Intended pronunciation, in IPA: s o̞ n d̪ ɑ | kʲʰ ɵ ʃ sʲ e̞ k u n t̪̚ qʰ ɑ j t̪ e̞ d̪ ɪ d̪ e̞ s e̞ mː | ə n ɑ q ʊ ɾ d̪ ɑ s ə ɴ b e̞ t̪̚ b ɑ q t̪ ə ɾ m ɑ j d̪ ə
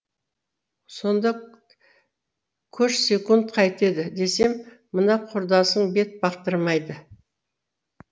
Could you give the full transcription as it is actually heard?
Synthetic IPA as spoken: s o̞ n d̪ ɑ | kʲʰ ɵ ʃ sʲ e̞ k u n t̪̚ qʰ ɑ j t̪ e̞ d̪ ɪ d̪ e̞ s e̞ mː | ə n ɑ qʰ ʊ ɾ d̪ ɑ s ə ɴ b e̞ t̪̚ b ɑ q t̪ ə ɾ m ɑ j d̪ ə

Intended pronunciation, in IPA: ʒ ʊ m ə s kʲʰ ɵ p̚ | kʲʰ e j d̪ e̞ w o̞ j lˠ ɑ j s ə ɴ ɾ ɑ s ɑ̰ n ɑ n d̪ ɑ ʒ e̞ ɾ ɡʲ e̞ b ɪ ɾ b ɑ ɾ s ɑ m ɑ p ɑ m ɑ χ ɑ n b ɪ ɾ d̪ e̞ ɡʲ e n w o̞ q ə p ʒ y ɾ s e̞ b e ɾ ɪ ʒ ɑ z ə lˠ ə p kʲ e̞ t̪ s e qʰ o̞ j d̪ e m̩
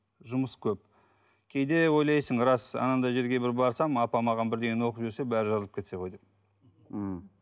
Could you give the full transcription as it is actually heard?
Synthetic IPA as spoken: ʒ ʊ m ə s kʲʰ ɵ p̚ | kʲʰ e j d̪ e̞ w o̞ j lˠ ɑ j s ə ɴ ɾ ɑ s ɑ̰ n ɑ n d̪ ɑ ʒ e̞ ɾ ɡʲ e̞ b ɪ ɾ b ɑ ɾ s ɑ m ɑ p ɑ m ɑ ʁ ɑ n b ɪ ɾ d̪ e̞ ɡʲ e n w o̞ q ə p ʒ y ɾ s e̞ b æ ɾ ɪ ʒ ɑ z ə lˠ ə p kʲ e̞ t̪ s e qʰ o̞ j d̪ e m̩

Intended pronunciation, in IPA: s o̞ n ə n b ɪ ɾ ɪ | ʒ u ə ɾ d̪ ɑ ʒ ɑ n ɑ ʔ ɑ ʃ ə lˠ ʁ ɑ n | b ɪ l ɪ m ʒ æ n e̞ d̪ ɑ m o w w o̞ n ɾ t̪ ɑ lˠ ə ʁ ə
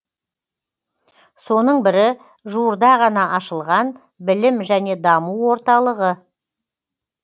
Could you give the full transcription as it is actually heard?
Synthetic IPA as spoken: s o̞ n ə ɴ b ɪ ɾ ɪ | ʒ u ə ɾ d̪ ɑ ʁ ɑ n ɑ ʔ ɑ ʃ ə lˠ ʁ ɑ n | b ɪ l ɪ m ʒ æ n e̞ d̪ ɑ m u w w o̞ ɾ t̪ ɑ lˠ ə ʁ ə

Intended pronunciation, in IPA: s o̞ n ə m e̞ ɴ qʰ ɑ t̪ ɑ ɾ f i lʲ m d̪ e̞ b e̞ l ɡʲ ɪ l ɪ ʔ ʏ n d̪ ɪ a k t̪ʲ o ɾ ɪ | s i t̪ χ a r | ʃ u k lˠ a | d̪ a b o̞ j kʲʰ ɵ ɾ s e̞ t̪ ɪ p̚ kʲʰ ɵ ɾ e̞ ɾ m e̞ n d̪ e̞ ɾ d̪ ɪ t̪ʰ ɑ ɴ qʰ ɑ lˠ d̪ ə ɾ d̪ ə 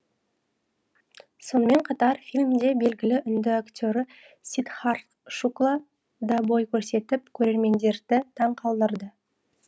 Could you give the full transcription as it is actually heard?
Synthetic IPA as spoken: s o̞ n ə m e̞ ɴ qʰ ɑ t̪ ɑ ɾ f i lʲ m d̪ e̞ b e̞ l ɡʲ ɪ l ɪ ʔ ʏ n d̪ ɪ a k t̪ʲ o ɾ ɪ | s i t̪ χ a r | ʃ u k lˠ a | d̪ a b o̞ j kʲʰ ɵ ɾ s e̞ t̪ ɪ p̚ kʲʰ ɵ ɾ e̞ ɾ m e̞ n d̪ e̞ ɾ d̪ ɪ t̪ʰ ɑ ɴ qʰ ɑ lˠ d̪ ə ɾ d̪ ə

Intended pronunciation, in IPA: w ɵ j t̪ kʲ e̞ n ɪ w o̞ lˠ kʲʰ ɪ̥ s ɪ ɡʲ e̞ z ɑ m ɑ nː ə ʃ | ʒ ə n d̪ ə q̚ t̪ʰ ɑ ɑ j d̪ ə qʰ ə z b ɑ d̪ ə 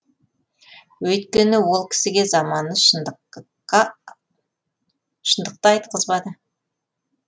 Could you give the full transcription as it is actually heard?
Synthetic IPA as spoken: w ɵ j t̪ kʲ e̞ n ɪ w o̞ lˠ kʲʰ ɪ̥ s ɪ ɡʲ e̞ z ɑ m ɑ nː ə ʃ | ʃ ə n d̪ ə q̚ t̪ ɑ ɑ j t̪ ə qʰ ə z b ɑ d̪ ə

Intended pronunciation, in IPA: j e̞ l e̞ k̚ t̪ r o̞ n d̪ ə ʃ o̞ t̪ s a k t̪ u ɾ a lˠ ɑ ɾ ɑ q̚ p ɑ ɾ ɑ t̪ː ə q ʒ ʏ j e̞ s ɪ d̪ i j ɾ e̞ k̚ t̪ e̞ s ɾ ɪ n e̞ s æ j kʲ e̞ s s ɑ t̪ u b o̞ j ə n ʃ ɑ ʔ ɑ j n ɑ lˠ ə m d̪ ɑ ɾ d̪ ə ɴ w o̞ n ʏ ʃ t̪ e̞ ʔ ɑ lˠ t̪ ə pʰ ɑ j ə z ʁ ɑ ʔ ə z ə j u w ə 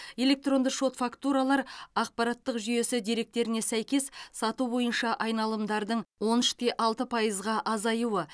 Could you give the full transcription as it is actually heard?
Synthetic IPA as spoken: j e̞ l e̞ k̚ t̪ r o̞ n d̪ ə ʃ o̞ t̪ f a k t̪ u ɾ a lˠ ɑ ɾ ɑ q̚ p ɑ ɾ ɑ t̪ː ə q ʒ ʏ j e̞ s ɪ d̪ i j ɾ e̞ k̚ t̪ e̞ ɾ ɪ n e̞ s æ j kʲ e̞ s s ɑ t̪ u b o̞ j ə n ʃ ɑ ʔ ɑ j n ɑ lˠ ə m d̪ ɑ ɾ d̪ ə ɴ w o̞ n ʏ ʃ t̪ e̞ ʔ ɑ lˠ t̪ ə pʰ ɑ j ə z ʁ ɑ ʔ ɑ z ɑ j u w ə

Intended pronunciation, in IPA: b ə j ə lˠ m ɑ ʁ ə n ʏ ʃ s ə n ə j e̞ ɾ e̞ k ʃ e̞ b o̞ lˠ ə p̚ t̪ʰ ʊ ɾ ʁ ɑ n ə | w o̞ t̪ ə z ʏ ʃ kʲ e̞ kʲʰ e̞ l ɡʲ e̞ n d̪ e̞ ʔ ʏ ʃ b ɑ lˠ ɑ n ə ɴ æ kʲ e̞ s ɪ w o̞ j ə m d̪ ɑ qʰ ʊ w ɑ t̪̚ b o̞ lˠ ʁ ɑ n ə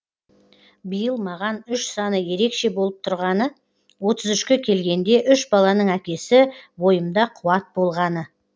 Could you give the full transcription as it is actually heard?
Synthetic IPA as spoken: b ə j ə lˠ m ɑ ʁ ɑ n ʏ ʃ s ɑ n ə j e̞ ɾ e̞ k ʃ e̞ b o̞ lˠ ə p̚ t̪ʰ ʊ ɾ ʁ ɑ n ə | w o̞ t̪ ə z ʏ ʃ kʲ e̞ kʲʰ e̞ l ɡʲ e̞ n d̪ e̞ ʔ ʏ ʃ b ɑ lˠ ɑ n ə ɴ æ kʲ e̞ s ɪ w o̞ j ə m d̪ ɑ qʰ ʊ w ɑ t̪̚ b o̞ lˠ ʁ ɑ n ə

